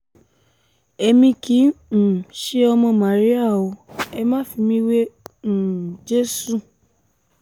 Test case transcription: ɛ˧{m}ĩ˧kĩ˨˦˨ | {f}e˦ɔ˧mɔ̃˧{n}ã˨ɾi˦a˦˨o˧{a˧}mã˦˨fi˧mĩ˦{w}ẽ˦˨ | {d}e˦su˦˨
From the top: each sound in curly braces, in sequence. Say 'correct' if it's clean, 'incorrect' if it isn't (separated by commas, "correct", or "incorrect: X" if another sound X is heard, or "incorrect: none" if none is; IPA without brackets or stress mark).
correct, incorrect: ʃ, incorrect: m, incorrect: ɛ˧, correct, incorrect: d͡ʒ